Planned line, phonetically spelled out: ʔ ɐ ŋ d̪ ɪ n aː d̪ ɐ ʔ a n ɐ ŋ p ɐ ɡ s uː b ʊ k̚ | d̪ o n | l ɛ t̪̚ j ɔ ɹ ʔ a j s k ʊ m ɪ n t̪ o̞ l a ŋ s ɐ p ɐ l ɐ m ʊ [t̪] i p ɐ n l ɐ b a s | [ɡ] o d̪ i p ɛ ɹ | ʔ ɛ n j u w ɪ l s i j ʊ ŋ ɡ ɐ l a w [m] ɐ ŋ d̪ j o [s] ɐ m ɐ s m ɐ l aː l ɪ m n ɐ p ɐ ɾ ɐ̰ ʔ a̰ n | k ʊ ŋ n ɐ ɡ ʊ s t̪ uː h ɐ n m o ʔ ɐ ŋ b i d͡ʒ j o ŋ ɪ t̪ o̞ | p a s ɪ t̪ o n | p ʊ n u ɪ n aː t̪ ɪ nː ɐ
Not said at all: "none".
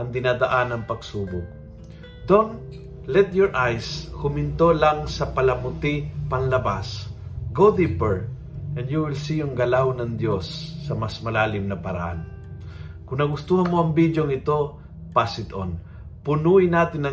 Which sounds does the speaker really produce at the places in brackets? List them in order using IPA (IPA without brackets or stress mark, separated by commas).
t̪, ɡ, n, sː